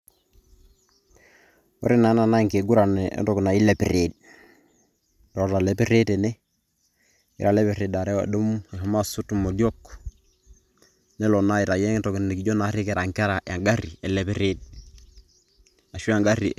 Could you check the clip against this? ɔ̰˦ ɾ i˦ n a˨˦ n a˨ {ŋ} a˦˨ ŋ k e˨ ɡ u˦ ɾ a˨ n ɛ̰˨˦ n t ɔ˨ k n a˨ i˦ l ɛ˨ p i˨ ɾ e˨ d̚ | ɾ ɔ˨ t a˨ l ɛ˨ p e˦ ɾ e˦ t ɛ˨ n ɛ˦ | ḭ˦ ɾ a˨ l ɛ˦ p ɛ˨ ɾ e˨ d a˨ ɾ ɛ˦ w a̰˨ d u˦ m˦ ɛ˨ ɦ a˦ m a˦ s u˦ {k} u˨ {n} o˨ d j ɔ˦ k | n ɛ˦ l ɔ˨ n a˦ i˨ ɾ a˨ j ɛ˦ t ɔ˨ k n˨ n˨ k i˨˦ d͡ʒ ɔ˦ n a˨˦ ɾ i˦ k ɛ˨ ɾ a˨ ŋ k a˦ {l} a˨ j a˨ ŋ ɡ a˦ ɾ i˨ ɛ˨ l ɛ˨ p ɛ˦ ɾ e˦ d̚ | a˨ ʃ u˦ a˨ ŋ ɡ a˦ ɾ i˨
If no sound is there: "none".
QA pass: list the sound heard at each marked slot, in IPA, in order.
n, t, m, ɾ

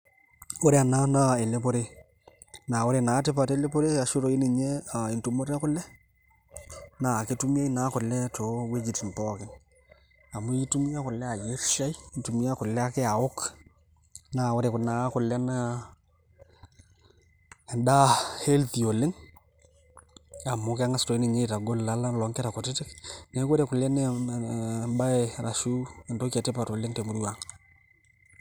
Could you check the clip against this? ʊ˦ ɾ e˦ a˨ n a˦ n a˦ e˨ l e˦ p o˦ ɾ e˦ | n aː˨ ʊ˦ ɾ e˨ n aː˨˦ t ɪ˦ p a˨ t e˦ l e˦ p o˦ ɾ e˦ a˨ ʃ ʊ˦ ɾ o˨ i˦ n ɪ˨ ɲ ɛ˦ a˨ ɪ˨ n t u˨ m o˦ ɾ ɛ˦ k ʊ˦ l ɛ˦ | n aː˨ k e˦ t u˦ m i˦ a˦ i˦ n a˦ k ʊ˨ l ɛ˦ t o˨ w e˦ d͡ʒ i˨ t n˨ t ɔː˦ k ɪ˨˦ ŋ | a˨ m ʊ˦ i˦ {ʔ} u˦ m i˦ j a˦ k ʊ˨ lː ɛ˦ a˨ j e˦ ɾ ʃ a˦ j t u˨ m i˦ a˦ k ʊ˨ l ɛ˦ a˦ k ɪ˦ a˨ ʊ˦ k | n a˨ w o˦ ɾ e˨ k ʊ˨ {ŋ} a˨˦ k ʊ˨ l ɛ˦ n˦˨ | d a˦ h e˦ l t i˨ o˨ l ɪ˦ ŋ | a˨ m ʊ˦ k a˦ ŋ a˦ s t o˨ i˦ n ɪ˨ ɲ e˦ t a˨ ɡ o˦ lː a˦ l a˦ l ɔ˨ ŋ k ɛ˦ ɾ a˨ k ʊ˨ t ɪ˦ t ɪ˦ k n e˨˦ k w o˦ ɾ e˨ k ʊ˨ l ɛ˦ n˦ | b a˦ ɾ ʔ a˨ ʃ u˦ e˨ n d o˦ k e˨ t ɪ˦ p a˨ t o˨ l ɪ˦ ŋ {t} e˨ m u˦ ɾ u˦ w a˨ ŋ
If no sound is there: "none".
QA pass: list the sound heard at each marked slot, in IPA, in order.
t, n, t

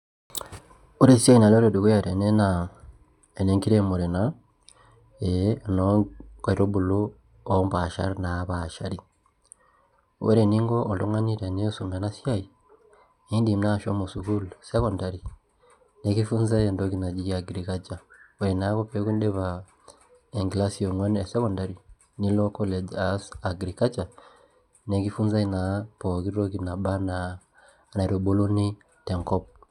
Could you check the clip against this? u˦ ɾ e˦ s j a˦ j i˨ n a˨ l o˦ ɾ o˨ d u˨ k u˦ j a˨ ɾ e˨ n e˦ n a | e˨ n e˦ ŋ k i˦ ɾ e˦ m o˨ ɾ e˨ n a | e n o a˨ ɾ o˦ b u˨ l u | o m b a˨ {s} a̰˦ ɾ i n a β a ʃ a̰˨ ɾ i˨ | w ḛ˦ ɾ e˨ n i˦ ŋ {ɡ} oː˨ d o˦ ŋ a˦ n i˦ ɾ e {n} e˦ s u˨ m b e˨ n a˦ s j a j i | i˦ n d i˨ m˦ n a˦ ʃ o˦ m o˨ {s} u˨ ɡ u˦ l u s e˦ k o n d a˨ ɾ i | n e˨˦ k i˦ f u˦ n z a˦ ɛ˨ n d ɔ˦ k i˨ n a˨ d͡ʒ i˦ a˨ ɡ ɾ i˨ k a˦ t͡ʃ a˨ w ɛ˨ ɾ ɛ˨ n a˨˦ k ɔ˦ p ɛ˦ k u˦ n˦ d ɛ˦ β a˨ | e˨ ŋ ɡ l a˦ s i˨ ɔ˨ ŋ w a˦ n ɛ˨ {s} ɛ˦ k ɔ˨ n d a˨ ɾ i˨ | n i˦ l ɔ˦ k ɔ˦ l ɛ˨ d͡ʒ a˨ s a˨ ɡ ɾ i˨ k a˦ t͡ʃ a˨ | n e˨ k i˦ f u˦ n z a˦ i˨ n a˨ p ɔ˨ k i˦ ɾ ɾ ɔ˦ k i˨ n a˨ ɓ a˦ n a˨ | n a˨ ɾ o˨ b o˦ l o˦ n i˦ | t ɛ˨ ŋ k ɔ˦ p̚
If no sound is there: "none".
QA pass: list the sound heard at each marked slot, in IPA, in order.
ʃ, ɡ, n, s, s

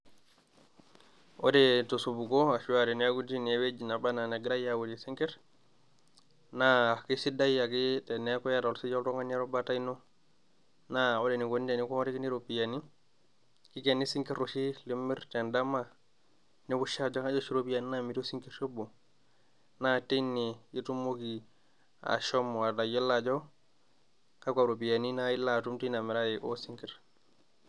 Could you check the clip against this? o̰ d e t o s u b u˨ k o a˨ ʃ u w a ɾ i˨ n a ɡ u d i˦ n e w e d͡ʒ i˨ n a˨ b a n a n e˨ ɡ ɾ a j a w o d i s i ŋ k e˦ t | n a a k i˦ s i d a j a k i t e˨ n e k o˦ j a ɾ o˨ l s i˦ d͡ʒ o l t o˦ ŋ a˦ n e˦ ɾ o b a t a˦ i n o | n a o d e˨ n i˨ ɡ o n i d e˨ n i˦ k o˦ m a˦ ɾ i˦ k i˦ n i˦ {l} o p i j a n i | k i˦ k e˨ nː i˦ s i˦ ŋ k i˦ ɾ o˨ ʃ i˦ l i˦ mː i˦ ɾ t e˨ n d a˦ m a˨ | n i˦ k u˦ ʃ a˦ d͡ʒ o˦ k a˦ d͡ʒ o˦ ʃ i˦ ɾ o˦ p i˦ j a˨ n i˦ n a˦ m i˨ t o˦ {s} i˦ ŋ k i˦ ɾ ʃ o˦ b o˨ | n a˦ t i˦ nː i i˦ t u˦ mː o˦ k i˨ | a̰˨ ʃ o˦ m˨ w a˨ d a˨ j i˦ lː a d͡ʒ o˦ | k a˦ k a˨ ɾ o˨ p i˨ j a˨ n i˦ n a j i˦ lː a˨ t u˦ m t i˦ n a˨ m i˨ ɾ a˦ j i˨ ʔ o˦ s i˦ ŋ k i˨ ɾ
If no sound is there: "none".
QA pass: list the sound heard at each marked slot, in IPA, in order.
ɾ, s

